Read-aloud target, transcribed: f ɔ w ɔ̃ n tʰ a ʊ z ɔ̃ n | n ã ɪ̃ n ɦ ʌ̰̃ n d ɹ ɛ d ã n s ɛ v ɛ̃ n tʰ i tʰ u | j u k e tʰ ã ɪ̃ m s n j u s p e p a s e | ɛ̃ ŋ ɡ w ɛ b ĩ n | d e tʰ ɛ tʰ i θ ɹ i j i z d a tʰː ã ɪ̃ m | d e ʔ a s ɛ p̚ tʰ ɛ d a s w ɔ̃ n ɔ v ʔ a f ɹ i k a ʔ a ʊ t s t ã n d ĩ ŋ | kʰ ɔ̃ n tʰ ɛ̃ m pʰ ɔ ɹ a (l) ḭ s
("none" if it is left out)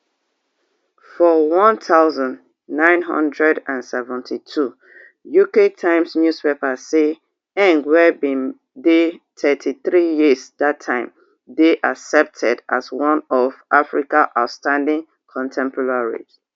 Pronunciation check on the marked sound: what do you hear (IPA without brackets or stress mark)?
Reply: ɹ